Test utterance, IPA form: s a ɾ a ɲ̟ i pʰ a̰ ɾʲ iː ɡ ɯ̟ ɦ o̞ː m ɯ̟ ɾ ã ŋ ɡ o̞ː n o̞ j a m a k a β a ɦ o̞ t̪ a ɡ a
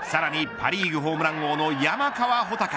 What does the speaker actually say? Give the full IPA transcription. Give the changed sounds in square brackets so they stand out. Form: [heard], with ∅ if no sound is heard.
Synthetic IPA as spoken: s a ɾ a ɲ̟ i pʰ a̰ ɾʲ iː ɡ ɯ̟ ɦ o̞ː m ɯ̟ ɾ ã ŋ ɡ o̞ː n o̞ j a m a k a β a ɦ o̞ t̪ a [k] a